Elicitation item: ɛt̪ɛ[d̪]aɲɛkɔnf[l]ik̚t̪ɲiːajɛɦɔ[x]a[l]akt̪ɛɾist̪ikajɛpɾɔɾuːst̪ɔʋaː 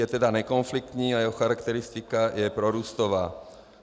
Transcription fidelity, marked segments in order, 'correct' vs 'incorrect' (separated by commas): correct, correct, correct, incorrect